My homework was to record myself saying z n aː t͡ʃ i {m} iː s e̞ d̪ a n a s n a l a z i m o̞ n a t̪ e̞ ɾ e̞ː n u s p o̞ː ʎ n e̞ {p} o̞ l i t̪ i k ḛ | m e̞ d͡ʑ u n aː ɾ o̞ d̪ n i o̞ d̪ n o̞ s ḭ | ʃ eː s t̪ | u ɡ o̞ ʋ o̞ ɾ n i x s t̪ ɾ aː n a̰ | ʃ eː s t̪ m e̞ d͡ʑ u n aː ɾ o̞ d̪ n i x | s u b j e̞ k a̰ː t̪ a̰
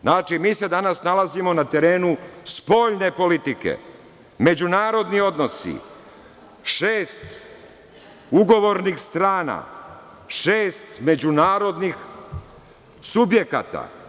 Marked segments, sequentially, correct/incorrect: correct, correct

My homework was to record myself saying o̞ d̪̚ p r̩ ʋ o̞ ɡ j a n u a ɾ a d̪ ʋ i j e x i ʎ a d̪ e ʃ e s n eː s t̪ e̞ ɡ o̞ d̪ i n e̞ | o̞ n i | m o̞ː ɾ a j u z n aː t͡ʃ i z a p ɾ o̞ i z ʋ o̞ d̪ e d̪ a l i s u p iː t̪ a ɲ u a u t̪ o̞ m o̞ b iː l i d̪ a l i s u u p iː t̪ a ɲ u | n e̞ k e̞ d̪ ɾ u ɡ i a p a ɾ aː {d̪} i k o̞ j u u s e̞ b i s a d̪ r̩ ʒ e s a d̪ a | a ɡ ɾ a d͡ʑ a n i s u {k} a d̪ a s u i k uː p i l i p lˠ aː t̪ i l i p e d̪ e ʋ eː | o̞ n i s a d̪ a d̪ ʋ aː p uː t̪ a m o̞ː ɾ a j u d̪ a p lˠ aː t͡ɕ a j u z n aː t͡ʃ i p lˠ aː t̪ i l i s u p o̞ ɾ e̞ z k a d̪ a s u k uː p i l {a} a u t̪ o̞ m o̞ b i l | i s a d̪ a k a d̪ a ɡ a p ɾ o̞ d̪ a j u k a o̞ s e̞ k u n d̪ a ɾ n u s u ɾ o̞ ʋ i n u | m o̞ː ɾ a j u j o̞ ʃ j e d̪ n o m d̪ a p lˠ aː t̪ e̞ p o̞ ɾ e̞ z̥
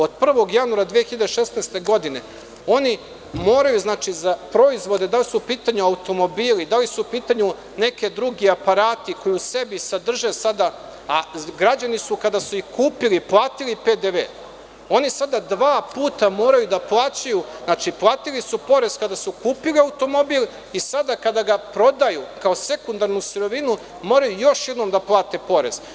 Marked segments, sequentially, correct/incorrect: incorrect, correct, incorrect

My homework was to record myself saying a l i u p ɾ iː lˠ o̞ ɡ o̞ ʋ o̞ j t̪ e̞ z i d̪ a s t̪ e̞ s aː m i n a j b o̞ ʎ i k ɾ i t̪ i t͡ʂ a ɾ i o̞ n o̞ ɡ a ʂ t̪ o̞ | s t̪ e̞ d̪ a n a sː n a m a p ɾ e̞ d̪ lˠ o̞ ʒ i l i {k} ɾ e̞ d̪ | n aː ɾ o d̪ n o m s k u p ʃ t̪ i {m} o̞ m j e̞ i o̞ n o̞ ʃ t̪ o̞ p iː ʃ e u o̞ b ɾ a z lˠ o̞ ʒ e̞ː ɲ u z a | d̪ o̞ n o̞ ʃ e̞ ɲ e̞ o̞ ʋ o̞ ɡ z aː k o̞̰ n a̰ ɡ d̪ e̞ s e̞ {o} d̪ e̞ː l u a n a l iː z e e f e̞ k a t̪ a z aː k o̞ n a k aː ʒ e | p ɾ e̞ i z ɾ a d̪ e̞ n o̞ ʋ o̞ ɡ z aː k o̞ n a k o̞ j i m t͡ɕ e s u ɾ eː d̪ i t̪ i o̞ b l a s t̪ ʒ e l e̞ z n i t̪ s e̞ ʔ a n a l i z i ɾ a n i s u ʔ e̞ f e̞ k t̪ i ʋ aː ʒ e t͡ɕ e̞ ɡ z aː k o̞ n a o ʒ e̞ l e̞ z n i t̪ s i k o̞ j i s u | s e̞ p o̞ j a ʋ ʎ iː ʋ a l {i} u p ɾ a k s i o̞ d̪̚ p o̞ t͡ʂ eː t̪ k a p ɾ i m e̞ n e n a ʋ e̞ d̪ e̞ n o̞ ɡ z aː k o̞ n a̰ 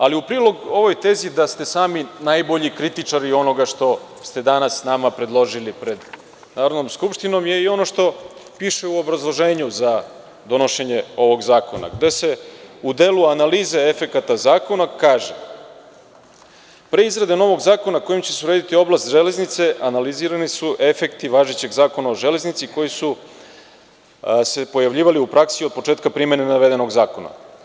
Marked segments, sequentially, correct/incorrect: incorrect, incorrect, incorrect, correct

